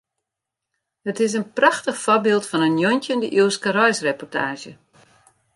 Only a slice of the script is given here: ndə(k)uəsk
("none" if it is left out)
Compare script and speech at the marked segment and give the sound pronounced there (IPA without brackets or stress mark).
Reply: ʔ